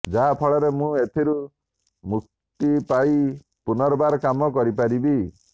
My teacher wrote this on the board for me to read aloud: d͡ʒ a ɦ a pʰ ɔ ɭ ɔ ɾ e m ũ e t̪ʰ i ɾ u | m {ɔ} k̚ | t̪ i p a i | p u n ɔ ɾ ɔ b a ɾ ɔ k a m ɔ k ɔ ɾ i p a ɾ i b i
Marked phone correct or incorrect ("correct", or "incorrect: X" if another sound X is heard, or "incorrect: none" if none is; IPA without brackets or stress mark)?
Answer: incorrect: u